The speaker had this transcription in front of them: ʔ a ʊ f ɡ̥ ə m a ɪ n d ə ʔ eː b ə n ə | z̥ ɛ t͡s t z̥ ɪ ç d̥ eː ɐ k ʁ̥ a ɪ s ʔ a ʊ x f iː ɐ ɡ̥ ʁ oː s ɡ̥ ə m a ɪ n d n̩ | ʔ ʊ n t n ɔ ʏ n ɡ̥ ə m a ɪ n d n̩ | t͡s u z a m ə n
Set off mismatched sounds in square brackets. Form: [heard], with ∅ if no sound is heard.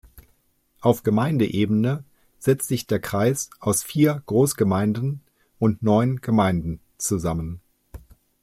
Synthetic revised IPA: ʔ a ʊ f ɡ̥ ə m a ɪ n d ə ʔ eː b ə n ə | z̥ ɛ t͡s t z̥ ɪ ç d̥ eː ɐ k ʁ̥ a ɪ s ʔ a ʊ [s] f iː ɐ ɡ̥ ʁ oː s ɡ̥ ə m a ɪ n d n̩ | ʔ ʊ n t n ɔ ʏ n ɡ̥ ə m a ɪ n d n̩ | t͡s u z a m ə n